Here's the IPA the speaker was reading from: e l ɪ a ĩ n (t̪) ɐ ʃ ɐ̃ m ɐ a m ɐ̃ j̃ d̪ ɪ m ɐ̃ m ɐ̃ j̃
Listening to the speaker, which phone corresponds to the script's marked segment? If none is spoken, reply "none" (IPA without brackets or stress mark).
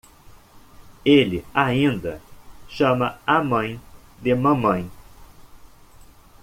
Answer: d̪